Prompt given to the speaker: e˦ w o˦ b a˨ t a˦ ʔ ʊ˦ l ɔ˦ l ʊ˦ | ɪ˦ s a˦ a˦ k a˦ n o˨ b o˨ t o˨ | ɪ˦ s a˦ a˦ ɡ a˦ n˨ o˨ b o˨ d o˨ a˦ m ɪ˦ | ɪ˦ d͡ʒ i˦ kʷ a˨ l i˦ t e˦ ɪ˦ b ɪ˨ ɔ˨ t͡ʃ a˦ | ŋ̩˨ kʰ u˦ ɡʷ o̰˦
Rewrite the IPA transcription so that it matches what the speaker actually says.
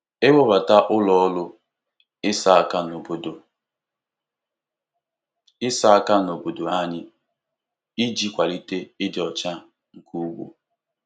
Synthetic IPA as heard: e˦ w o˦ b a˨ t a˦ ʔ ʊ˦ l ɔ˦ l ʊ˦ | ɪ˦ s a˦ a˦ k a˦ n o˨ b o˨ d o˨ | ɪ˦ s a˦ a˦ k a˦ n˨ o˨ b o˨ d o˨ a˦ ɲ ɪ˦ | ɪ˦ d͡ʒ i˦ kʷ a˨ l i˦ t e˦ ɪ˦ d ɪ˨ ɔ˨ t͡ʃ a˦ | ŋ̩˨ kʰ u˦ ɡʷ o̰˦

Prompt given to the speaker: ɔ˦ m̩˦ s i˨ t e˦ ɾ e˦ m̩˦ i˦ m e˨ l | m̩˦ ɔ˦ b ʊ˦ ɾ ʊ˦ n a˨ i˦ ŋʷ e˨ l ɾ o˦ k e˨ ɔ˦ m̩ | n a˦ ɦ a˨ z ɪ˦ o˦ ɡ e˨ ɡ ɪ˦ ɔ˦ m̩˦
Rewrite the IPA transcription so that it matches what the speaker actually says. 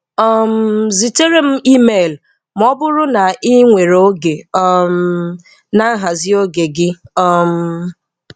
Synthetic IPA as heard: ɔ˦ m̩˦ z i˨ t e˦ ɾ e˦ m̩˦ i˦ m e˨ l | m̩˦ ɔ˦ b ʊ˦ ɾ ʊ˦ n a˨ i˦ ŋʷ e˨ ɾ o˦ ɡ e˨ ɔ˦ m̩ | n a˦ ɦ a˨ z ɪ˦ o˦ ɡ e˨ ɡ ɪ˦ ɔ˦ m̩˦

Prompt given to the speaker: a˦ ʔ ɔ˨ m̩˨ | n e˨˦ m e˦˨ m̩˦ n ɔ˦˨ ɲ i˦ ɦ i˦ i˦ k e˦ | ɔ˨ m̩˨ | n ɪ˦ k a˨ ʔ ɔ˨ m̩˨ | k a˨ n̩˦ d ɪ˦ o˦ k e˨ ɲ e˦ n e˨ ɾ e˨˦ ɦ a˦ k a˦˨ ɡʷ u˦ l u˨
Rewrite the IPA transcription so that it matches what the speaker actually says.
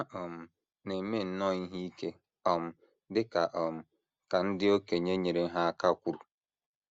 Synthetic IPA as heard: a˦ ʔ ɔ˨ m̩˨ | n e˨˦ m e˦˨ n̩˦ n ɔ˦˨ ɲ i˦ ɦ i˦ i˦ k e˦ | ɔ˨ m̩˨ | d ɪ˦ k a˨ ʔ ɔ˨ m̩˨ | k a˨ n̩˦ d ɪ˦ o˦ k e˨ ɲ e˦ ɲ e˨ ɾ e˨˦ ɦ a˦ k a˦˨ kʷ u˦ ɾ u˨

